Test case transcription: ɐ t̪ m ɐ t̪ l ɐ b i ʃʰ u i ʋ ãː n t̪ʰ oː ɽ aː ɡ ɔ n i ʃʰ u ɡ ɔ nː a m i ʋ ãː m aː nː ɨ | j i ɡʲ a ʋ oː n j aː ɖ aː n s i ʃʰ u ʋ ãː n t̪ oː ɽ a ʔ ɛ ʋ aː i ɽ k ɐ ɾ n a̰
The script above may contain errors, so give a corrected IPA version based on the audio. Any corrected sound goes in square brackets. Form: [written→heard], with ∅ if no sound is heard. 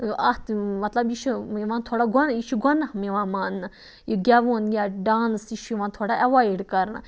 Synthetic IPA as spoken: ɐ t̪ m ɐ t̪ l ɐ b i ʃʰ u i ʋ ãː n t̪ʰ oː ɽ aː ɡ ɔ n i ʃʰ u ɡ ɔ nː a m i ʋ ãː m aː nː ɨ | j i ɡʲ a ʋ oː n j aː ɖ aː n s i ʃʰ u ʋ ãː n [t̪→t̪ʰ] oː ɽ a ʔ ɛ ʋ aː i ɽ k ɐ ɾ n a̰